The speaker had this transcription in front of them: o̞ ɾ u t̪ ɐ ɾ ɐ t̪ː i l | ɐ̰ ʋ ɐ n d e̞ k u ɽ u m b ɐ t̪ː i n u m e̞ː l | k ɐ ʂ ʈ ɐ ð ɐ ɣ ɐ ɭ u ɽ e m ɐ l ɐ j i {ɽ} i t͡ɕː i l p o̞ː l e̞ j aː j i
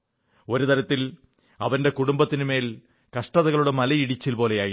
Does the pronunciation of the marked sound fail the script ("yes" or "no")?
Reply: no